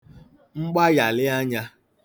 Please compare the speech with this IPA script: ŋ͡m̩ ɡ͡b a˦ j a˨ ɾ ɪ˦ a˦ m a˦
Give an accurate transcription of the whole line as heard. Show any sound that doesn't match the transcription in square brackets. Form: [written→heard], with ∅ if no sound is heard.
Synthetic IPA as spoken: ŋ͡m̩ ɡ͡b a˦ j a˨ [ɾ→l] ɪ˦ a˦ [m→ɲ] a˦